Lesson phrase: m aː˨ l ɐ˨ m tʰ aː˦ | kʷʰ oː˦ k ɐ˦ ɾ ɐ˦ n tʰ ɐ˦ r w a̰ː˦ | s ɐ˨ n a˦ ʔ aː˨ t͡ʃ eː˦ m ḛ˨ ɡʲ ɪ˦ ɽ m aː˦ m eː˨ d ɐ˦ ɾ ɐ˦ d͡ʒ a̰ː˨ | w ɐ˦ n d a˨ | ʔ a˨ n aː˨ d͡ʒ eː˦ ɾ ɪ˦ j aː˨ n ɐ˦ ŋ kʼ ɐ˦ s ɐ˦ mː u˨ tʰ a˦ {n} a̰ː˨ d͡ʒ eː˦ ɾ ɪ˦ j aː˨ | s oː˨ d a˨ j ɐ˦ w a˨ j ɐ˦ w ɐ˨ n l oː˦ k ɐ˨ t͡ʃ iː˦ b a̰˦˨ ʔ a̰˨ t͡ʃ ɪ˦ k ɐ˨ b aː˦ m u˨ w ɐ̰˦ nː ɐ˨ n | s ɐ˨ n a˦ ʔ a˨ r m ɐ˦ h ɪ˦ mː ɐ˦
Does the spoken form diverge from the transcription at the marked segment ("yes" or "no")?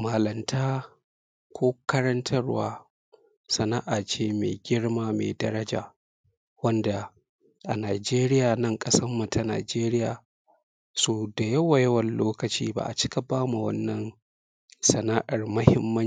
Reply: no